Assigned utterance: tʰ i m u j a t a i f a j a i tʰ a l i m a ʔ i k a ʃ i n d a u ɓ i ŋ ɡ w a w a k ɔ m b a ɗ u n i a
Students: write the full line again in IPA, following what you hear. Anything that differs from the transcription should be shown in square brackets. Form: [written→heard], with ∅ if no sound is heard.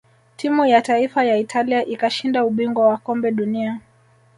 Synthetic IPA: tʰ i m u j a t a i f a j a i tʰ a l i [m→∅] a ʔ i k a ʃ i n d a u ɓ i ŋ ɡ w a w a k ɔ m b [a→ɛ] ɗ u n i a

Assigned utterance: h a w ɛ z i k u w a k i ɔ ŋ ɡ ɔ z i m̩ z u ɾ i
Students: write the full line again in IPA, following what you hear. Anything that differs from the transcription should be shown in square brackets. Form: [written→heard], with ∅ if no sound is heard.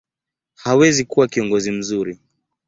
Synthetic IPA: h a w ɛ z i k u w a k i ɔ ŋ ɡ ɔ z i m̩ z u ɾ i

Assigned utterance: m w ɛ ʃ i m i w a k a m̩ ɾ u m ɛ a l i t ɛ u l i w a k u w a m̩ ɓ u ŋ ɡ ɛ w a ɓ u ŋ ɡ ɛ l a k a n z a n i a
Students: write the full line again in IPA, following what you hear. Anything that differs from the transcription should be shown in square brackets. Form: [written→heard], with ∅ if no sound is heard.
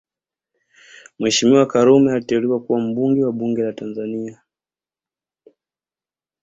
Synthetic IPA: m w ɛ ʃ i m i w a k a [m̩→∅] ɾ u m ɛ a l i t ɛ u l i w a k u w a m̩ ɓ u ŋ ɡ ɛ w a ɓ u ŋ ɡ ɛ l a [k→t] a n z a n i a

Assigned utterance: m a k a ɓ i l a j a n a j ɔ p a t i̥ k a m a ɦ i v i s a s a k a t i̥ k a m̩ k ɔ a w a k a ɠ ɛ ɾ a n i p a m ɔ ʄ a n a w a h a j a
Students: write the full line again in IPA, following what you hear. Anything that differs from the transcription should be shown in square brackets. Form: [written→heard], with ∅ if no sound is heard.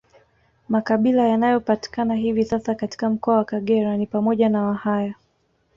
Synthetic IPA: m a k a ɓ i l a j a n a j ɔ p a t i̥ k a [m→n] a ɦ i v i s a s a k a t i̥ k a m̩ k ɔ a w a k a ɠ ɛ ɾ a n i p a m ɔ ʄ a n a w a h a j a

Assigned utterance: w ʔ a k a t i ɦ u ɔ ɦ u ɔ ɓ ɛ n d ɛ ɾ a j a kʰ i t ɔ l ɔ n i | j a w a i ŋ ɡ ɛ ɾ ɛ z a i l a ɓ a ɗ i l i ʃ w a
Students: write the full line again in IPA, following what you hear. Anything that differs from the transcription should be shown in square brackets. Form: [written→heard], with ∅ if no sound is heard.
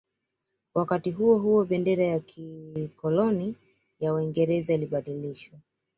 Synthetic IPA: w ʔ a k a t i ɦ u ɔ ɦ u ɔ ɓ ɛ n d ɛ ɾ a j a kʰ i [t→k] ɔ l ɔ n i | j a w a i ŋ ɡ ɛ ɾ ɛ z a i l [a→i] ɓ a ɗ i l i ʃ w a

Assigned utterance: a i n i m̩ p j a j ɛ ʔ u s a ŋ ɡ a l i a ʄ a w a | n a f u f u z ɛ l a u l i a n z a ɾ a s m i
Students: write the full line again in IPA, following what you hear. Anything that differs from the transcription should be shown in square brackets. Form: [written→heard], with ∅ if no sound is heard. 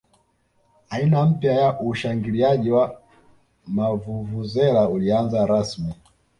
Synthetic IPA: a i n [i→a] m̩ p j a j [ɛ→a] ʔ u [s→ʃ] a ŋ ɡ [a→i] l i a ʄ [a→i] w a | [n→m] a [f→v] u [f→v] u z ɛ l a u l i a n z a ɾ a s m i

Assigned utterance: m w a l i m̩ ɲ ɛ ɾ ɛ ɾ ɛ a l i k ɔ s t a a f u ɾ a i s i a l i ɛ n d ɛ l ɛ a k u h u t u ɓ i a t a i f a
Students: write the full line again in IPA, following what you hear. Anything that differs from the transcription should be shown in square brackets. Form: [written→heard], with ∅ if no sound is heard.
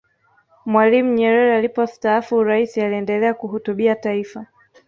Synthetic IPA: m w a l i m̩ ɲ ɛ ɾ ɛ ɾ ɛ a l i [k→p] ɔ s t a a f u ɾ a i s i a l i ɛ n d ɛ l ɛ a k u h u t u ɓ i a t a i f a

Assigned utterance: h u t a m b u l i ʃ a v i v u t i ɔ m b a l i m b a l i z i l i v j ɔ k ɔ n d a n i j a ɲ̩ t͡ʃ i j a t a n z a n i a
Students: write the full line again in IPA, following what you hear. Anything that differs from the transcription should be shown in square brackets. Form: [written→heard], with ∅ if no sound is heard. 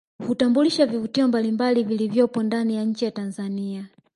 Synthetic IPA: h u t a m b u l i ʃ a v i v u t i ɔ m b a l i m b a l i [z→v] i l i v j ɔ [k→p] ɔ n d a n i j a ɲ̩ t͡ʃ i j a t a n z a n i a

